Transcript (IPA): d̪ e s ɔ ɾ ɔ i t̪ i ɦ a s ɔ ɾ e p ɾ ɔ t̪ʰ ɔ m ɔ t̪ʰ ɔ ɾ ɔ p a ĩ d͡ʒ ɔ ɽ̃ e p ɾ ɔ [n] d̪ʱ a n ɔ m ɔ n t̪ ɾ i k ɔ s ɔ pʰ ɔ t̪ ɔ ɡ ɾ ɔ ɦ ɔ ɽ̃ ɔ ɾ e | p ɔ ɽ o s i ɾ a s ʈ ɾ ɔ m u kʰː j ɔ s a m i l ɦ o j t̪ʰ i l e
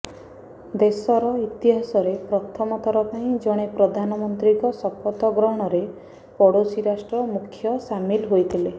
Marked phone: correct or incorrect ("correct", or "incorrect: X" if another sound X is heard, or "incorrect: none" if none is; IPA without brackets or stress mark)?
incorrect: none